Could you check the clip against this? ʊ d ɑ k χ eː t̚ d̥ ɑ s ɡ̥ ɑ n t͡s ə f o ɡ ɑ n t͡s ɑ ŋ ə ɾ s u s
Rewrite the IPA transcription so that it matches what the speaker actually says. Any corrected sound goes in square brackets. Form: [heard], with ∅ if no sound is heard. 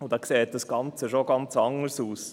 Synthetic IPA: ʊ d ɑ k [s] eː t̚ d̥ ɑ s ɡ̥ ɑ n t͡s ə [ʃ] o ɡ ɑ n t͡s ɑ ŋ ə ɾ s [uː] s